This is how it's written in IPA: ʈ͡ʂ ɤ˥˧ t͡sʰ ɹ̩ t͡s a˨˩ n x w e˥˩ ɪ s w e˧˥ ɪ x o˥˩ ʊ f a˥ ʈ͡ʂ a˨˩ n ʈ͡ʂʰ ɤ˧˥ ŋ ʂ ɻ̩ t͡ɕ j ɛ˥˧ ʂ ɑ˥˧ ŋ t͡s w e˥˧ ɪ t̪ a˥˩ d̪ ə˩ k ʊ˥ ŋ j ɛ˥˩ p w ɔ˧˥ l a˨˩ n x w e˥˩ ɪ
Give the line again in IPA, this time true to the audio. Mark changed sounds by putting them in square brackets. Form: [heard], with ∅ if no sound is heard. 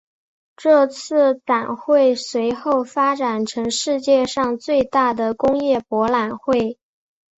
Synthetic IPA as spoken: ʈ͡ʂ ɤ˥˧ t͡sʰ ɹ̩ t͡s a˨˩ n x w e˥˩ ɪ s w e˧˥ ɪ x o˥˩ ʊ f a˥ ʈ͡ʂ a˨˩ n ʈ͡ʂʰ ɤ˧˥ ŋ ʂ ɻ̩ t͡ɕ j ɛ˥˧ ʂ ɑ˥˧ ŋ t͡s w e˥˧ ɪ t̪ a˥˩ d̪ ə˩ k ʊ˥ ŋ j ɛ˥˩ p w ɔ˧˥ l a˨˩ n x w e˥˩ ɪ